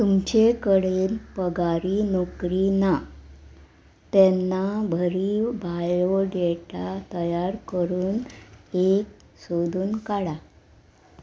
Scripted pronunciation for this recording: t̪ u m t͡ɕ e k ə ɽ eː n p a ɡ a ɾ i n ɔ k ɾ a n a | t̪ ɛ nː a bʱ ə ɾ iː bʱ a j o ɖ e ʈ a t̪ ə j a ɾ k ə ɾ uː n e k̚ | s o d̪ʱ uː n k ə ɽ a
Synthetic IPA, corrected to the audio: t̪ u m t͡ɕ e k ə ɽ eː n p ə ɡ a ɾ i n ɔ k ɾ i n a | t̪ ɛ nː a bʱ ə ɾ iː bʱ a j o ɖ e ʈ a t̪ ə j a ɾ k ə ɾ uː n e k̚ | s o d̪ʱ uː n k a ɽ a